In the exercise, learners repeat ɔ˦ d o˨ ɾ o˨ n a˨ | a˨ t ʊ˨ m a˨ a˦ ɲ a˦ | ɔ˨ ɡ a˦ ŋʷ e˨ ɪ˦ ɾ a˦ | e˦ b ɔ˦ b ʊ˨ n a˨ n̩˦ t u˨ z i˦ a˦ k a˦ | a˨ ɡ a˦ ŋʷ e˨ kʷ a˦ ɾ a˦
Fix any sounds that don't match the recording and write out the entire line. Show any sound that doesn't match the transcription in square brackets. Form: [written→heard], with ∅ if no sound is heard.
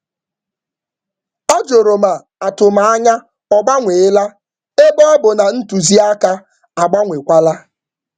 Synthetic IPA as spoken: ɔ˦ [d→d͡ʒ] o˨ ɾ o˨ [n→m] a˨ | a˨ t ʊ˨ m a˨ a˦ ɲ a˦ | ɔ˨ [ɡ→ɡ͡b] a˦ ŋʷ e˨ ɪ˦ [ɾ→l] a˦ | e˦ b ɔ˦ b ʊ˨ n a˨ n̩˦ t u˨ z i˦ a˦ k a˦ | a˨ [ɡ→ɡ͡b] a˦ ŋʷ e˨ kʷ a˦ [ɾ→l] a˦

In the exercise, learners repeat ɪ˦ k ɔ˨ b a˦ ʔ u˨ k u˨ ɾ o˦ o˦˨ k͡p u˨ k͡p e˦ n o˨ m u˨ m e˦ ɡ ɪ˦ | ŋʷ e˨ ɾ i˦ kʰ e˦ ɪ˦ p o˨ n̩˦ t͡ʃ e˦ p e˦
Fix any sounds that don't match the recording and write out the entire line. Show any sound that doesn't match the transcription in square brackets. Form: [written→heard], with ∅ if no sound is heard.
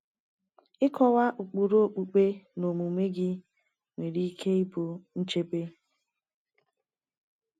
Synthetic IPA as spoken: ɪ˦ k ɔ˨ [b→w] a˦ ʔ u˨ [k→k͡p] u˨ ɾ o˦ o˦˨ k͡p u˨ k͡p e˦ n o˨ m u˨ m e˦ ɡ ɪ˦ | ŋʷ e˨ ɾ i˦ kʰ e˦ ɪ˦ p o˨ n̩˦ t͡ʃ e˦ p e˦

